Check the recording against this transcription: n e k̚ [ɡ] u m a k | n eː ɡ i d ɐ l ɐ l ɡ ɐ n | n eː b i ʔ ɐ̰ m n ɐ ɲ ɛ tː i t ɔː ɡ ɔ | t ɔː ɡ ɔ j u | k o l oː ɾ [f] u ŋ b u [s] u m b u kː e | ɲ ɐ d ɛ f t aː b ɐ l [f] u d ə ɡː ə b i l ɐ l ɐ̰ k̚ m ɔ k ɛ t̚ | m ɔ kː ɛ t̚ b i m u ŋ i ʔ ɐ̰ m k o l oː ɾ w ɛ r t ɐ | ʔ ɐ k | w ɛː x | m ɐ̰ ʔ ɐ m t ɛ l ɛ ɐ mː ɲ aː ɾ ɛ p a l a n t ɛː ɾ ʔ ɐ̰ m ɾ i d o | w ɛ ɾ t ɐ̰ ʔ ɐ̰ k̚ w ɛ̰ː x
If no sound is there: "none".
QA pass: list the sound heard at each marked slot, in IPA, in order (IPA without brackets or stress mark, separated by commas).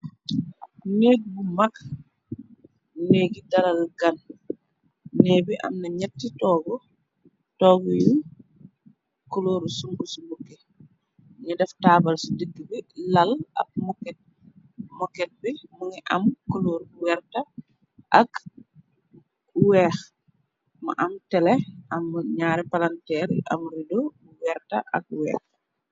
b, s, s, s